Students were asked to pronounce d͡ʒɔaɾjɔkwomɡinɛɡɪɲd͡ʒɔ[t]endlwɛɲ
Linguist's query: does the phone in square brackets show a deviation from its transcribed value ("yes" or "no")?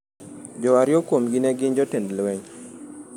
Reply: no